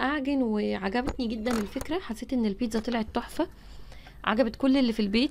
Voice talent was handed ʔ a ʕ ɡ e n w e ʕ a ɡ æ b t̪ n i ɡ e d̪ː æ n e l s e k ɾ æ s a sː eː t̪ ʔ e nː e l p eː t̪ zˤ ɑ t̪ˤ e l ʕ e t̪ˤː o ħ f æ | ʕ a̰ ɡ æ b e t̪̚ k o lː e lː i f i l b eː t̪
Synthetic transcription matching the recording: ʔ a ʕ ɡ e n w e ʕ a ɡ æ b t̪ n i ɡ e d̪ː æ n e l f e k ɾ æ ħ a sː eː t̪ ʔ e nː e l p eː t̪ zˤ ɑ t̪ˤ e l ʕ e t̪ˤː o ħ f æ | ʕ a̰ ɡ æ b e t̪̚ k o lː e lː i f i l b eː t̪